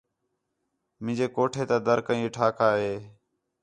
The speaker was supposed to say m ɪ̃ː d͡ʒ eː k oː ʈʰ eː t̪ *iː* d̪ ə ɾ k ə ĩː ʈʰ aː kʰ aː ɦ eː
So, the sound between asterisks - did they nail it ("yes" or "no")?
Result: no